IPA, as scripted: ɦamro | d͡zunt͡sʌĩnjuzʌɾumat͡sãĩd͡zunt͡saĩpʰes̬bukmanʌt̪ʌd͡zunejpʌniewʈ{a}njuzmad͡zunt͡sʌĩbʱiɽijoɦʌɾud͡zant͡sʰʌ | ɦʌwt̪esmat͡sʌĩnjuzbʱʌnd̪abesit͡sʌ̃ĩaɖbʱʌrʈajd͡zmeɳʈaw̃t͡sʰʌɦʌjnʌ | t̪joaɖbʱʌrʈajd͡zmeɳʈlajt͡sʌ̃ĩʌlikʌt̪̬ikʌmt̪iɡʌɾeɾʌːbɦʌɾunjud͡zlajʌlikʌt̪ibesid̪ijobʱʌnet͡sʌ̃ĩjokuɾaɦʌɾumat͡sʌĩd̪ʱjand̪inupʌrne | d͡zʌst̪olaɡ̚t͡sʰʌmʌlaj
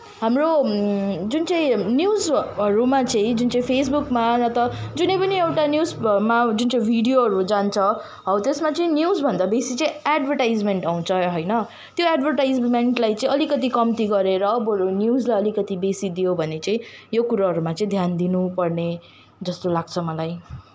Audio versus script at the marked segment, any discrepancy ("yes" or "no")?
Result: no